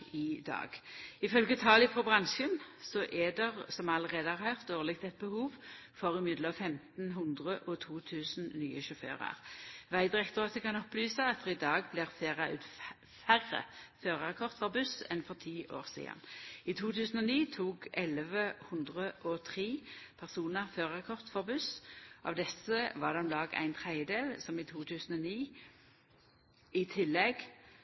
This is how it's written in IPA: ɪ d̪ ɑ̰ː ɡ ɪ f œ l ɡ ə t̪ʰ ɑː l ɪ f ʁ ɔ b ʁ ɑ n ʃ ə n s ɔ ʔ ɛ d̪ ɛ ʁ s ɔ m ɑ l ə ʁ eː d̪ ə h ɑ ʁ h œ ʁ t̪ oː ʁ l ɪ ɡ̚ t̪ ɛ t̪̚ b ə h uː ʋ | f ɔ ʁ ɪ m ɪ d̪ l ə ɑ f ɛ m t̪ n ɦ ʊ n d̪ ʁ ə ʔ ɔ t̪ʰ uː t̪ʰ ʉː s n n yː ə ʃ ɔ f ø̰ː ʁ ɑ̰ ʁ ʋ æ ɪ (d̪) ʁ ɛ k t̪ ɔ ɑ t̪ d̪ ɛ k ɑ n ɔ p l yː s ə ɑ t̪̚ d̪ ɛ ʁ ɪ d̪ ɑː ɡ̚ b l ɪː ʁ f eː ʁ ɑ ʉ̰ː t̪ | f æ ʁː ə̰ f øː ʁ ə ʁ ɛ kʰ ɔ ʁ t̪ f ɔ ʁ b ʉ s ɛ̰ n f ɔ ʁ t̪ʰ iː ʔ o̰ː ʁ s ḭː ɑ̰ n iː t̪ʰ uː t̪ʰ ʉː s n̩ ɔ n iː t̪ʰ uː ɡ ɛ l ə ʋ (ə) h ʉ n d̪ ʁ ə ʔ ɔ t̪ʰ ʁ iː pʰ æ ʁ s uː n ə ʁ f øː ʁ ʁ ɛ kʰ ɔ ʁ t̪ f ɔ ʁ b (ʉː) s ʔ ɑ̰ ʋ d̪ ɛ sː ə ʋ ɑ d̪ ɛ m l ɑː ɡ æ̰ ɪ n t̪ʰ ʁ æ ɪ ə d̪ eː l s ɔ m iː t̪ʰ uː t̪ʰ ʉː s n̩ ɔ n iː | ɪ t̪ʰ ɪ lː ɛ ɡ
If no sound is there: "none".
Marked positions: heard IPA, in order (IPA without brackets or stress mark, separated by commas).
d̪, ə, ʉ